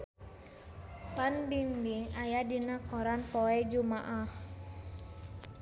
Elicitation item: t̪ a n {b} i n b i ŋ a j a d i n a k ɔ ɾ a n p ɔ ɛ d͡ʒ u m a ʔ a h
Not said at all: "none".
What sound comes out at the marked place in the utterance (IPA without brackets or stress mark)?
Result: b